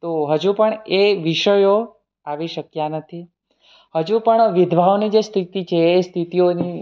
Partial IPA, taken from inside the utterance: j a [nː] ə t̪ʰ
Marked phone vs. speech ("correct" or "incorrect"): incorrect